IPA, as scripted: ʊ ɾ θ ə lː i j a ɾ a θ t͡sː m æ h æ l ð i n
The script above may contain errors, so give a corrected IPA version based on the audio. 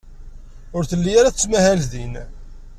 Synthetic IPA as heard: ʊ ɾ θ ə lː i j a ɾ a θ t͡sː m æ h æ l ð i n

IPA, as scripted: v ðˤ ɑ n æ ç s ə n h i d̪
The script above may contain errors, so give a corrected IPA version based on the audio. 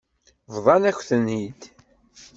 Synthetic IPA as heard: v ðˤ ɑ n æ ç θ ə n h i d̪

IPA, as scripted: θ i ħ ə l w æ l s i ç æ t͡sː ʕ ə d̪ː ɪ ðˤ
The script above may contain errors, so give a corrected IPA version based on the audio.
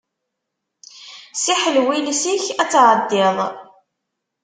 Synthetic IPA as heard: s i ħ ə l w i l s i ç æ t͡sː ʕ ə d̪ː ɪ ðˤ

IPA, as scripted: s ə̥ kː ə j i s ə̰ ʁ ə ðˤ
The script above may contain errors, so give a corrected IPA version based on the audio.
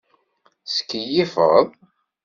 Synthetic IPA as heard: s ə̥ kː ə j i f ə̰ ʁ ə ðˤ

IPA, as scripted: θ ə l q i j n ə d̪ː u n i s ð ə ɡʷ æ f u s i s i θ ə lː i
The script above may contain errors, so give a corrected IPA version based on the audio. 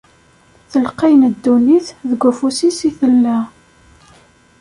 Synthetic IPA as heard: θ ə l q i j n ə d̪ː u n i θ ð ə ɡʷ æ f u s i s i θ ə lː æ

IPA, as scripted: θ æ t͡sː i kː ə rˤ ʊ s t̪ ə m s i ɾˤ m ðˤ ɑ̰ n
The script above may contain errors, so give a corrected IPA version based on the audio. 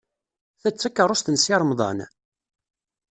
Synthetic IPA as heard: θ æ t͡sː æ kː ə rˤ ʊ s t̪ ə n s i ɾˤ m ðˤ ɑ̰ n

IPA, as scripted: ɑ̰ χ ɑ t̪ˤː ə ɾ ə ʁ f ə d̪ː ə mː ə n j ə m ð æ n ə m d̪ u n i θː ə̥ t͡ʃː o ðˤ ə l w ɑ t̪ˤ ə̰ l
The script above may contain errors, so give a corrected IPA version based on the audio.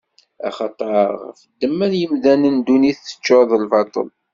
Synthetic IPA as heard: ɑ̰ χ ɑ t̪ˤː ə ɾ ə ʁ f ə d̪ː ə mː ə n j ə m ð æ n ə n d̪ u n i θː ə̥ t͡ʃː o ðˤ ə l v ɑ t̪ˤ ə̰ l

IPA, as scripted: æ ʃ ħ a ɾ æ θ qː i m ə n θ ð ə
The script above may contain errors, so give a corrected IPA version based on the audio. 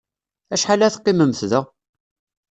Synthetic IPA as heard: æ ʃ ħ a l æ θ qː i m ə m θ ð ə

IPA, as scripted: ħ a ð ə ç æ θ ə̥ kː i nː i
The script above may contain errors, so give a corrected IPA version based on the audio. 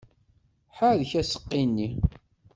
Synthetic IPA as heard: ħ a ð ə ç æ s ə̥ qː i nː i

